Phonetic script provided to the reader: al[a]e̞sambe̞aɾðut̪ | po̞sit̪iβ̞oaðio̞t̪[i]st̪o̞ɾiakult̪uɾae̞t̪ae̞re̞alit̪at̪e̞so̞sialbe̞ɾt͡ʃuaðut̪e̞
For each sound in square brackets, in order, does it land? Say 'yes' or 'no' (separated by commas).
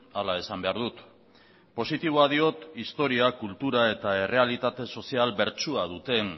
yes, yes